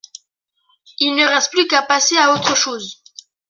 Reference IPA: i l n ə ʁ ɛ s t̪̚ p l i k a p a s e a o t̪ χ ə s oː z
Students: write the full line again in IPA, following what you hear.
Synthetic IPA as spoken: i l n ə ʁ ɛ s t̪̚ p l y k a p a s e a o t̪ χ ə ʃ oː z